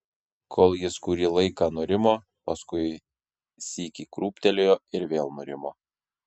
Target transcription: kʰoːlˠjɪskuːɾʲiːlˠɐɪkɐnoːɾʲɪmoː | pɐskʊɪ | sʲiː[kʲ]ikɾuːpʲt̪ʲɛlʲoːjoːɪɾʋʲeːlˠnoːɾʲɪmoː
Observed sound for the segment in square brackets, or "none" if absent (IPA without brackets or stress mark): kʲ